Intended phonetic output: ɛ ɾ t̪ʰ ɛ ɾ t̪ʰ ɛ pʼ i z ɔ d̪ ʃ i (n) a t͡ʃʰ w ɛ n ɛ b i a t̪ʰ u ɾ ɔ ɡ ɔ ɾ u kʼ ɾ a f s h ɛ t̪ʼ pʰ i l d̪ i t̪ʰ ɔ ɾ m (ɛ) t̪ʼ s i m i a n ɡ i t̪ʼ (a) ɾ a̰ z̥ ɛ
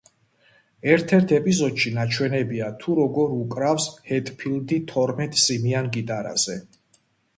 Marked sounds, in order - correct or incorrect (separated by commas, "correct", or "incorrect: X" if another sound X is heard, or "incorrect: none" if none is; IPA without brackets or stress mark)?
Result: correct, correct, correct